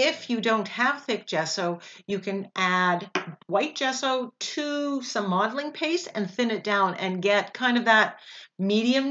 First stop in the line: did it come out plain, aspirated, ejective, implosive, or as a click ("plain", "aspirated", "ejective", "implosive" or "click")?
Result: plain